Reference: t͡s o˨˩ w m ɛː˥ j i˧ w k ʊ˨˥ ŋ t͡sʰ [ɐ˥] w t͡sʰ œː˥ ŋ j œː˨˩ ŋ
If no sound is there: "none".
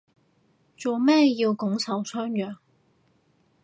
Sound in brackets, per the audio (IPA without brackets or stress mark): ɐ˨˥